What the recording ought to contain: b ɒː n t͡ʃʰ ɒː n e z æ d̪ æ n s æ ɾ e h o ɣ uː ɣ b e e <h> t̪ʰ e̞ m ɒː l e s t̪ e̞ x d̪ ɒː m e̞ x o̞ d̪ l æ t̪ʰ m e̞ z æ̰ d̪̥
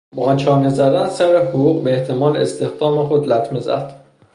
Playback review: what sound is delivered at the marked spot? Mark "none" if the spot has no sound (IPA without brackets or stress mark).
h